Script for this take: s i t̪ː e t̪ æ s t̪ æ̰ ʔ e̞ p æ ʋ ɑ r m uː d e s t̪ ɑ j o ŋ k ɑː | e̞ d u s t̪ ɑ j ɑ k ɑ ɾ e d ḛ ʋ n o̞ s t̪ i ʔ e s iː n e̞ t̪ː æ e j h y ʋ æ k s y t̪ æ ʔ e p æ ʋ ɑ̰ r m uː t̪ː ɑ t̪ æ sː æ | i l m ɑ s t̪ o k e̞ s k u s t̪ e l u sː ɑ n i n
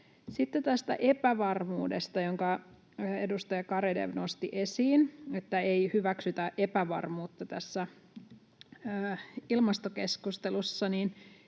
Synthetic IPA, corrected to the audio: s i t̪ː e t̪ æ s t̪ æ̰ ʔ e̞ p æ ʋ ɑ r m uː d e s t̪ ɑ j o ŋ k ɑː | e̞ d u s t̪ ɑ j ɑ k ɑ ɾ e d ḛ ʋ n o̞ s t̪ i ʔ e s iː n e̞ t̪ː æ e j h y ʋ æ k s y t̪ æ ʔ e p æ ʋ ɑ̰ r m uː t̪ː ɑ t̪ æ sː æ | i l m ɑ s t̪ o k e̞ s k u s t̪ e l u sː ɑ n i n